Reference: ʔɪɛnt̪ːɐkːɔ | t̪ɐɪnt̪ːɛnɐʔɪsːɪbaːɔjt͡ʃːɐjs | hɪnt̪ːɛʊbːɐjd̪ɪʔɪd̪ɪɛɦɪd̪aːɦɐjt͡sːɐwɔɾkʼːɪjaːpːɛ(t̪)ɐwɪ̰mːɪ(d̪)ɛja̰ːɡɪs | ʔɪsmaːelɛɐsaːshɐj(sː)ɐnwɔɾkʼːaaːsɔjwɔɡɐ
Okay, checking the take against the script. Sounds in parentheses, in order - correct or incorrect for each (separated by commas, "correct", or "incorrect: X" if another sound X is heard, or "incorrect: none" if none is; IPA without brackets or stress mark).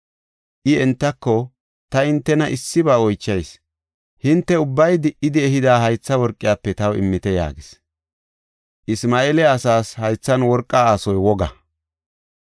correct, incorrect: t̪, incorrect: t͡sː